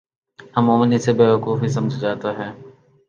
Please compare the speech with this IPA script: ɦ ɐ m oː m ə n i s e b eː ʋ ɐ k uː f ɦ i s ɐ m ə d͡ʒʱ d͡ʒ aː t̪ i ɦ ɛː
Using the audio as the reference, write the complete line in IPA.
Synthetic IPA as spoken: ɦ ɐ m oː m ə n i s e b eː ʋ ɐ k uː f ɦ i s ɐ m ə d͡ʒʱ d͡ʒ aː t̪ a ɦ ɛː